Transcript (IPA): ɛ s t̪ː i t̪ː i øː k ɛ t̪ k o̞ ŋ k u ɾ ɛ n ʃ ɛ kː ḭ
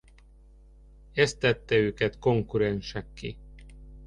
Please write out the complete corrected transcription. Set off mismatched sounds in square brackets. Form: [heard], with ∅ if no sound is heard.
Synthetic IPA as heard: ɛ s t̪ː [ɛ] t̪ː [ɛ] øː k ɛ t̪ k o̞ ŋ k u ɾ ɛ n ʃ ɛ kː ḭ